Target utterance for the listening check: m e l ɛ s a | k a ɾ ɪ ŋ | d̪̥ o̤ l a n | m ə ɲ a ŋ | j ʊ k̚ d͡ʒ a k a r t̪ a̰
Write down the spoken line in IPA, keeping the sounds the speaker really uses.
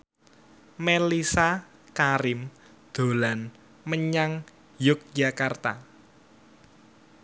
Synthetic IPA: m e l i s a | k a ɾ ɪ m | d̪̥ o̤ l a n | m ə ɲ a ŋ | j ʊ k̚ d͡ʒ a k a r t̪ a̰